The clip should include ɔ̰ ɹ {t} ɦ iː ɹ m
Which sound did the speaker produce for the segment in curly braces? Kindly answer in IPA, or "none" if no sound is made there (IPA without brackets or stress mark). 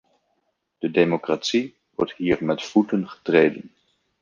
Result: t